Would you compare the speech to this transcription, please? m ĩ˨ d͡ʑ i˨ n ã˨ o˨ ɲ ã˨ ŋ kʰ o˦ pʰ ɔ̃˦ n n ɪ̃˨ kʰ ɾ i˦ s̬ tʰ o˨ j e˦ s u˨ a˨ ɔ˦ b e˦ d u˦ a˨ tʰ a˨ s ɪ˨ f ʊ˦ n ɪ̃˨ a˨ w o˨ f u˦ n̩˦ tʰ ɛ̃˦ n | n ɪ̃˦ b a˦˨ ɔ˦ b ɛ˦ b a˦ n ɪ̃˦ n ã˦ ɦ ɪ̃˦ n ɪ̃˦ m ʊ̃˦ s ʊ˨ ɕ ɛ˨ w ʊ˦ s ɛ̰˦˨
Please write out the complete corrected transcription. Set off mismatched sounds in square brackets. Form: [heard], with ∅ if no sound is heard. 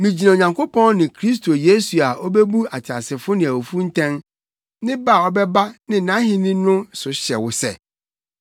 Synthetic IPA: m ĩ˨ d͡ʑ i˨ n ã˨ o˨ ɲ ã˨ ŋ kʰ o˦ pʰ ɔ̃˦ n n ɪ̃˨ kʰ ɾ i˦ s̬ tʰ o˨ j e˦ s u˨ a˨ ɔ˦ b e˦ [b] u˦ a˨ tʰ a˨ s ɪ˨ f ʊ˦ n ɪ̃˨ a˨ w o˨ f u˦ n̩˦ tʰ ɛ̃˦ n | n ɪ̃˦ b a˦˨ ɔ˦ b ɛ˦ b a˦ n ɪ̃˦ n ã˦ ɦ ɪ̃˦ n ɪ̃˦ [n] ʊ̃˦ s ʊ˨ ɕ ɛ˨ w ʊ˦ s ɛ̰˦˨